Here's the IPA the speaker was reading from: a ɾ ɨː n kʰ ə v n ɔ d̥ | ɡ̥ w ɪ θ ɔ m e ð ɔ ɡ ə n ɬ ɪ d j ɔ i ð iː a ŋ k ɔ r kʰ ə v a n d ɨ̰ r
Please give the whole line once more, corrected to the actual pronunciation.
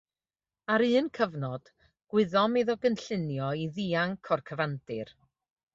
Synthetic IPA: a ɾ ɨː n kʰ ə v n ɔ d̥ | ɡ̥ w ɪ ð ɔ m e ð ɔ ɡ ə n ɬ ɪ n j ɔ i ð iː a ŋ kʰ ɔ r kʰ ə v a n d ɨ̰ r